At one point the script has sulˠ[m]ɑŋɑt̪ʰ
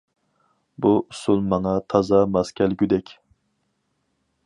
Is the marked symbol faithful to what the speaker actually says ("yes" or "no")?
yes